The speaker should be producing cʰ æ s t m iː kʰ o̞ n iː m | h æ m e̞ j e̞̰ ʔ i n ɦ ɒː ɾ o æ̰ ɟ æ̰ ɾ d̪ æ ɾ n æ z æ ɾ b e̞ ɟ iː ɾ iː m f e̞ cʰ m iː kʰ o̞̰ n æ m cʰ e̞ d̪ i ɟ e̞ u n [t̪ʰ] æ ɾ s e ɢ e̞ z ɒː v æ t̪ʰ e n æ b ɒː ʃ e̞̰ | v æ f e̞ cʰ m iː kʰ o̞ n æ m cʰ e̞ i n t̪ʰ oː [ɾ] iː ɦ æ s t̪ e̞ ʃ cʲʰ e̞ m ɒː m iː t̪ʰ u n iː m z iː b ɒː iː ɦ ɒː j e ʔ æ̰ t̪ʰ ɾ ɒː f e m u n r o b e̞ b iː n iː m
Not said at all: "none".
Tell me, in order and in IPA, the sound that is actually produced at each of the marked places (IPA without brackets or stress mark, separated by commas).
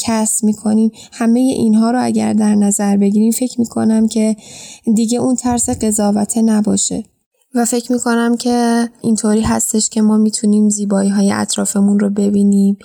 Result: t̪ʰ, ɾ